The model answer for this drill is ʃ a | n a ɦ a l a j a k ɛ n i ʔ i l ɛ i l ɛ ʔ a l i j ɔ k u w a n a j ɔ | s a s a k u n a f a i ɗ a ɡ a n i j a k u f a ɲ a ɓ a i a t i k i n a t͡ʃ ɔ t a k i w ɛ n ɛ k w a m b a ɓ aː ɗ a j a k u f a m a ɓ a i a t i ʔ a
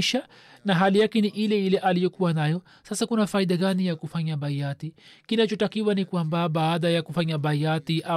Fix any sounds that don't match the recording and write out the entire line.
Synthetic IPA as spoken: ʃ a | n a ɦ a l i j a k ɛ n i ʔ i l ɛ i l ɛ ʔ a l i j ɔ k u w a n a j ɔ | s a s a k u n a f a i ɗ a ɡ a n i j a k u f a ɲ a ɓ a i a t i k i n a t͡ʃ ɔ t a k i w a n i k w a m b a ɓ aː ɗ a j a k u f a ɲ a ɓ a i a t i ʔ a